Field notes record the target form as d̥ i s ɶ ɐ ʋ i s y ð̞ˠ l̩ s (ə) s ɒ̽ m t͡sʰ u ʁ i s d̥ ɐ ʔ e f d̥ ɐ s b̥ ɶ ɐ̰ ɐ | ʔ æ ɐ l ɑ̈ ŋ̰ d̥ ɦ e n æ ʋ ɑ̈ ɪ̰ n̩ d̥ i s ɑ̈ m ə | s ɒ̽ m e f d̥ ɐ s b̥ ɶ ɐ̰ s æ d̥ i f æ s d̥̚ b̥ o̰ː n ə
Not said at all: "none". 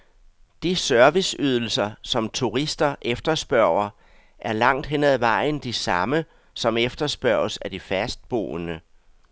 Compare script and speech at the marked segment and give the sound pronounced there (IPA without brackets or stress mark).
ɐ